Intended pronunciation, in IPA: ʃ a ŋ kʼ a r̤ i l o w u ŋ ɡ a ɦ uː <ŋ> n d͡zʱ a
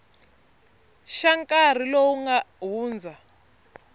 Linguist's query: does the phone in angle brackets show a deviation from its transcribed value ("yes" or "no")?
yes